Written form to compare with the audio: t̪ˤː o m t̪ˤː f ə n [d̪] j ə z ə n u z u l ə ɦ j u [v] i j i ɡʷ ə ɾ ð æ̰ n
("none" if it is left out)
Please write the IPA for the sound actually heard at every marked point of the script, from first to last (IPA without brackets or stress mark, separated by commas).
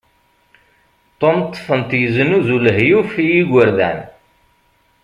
t̪, f